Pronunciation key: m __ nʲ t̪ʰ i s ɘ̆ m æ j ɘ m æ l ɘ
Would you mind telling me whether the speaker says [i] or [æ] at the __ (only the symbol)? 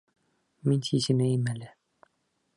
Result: i